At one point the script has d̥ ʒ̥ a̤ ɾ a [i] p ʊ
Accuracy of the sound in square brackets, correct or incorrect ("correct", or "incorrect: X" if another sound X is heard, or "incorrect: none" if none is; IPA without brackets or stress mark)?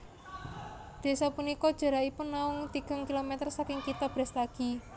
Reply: correct